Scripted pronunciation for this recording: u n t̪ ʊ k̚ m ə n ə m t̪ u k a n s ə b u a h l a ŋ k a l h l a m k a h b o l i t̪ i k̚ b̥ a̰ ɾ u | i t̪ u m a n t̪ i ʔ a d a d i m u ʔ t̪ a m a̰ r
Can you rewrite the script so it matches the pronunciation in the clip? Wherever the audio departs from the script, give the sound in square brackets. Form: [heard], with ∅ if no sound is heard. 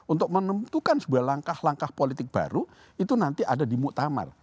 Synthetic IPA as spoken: u n t̪ ʊ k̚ m ə n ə m t̪ u k a n s ə b u a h l a ŋ k a [∅] h l a [ŋ] k a h [p] o l i t̪ [ɪ] k̚ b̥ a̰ ɾ u | i t̪ u [n] a n t̪ i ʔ a d a d i m u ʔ t̪ a m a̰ r

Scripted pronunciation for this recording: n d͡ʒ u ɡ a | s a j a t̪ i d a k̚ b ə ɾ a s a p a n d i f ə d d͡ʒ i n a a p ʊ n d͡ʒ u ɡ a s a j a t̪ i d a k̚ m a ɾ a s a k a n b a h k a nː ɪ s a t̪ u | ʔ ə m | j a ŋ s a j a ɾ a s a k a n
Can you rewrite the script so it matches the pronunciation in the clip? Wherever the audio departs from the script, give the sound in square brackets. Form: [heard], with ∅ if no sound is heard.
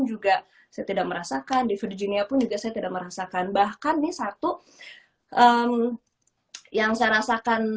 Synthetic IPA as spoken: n d͡ʒ u ɡ a | s a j a t̪ i d a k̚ [m] ə ɾ a s a [k] a n d i f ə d d͡ʒ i n [i] a p ʊ n d͡ʒ u ɡ a s a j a t̪ i d a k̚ m [ə] ɾ a s a k a n b a h k a nː ɪ s a t̪ u | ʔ ə m | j a ŋ s a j a ɾ a s a k a n

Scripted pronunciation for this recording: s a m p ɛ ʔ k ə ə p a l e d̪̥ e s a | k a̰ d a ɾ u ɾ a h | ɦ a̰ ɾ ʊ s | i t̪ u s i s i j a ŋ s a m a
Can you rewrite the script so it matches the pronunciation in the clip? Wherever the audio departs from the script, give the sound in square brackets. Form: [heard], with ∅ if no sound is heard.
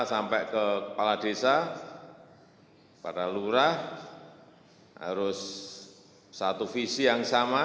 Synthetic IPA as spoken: s a m p ɛ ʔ k ə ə p a l [a] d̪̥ e s a | [p] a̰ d a [l] u ɾ a h | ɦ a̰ ɾ ʊ s | [a] t̪ u [f] i s i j a ŋ s a m a

